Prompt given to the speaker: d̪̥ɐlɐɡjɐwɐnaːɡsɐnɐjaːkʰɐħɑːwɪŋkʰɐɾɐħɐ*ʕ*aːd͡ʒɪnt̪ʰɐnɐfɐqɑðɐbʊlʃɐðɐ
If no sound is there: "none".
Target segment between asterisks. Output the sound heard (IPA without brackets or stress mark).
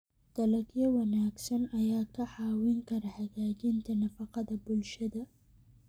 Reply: ɣ